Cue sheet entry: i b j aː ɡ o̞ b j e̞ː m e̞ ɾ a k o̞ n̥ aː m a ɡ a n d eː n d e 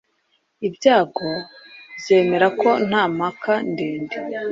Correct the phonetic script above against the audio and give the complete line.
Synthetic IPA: i b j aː ɡ o̞ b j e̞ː m e̞ ɾ a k o̞ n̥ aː m a k a n d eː n d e